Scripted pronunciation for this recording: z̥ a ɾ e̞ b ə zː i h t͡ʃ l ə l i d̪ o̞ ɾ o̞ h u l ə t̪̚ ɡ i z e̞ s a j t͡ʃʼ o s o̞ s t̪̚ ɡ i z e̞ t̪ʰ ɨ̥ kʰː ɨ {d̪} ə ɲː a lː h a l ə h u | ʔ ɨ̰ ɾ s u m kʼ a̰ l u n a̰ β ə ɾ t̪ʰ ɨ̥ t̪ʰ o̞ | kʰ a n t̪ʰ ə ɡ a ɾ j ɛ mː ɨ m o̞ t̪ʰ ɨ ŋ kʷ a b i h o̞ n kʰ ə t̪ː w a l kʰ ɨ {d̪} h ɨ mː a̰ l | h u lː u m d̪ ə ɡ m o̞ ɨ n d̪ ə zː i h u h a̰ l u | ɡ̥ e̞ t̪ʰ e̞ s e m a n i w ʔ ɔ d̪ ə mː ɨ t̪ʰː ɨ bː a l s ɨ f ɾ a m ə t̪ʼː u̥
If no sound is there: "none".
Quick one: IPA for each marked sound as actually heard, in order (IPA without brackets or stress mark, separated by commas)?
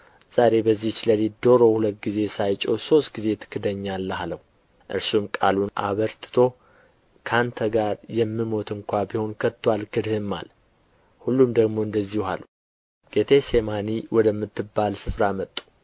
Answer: d̪, d̪